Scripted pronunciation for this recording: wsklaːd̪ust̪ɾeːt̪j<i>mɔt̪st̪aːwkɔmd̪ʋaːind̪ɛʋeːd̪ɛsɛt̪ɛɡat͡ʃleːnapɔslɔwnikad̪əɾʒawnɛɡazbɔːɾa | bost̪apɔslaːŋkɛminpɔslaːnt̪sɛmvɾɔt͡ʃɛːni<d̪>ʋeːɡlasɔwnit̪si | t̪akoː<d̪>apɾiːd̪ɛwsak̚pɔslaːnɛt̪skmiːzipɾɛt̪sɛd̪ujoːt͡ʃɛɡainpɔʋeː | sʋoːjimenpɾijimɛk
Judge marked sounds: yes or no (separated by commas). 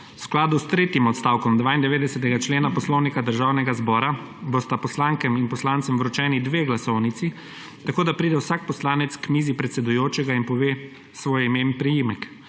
yes, yes, yes